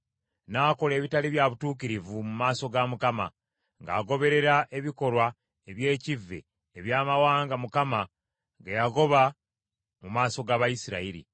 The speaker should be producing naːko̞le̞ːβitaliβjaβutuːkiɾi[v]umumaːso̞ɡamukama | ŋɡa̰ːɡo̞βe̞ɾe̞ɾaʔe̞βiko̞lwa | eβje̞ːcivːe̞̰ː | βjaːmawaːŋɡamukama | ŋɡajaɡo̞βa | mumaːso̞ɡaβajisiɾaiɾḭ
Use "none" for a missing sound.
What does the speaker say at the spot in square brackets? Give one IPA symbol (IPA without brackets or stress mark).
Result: v